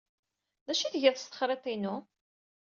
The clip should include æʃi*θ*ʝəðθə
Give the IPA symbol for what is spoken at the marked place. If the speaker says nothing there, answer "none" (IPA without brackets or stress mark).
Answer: θ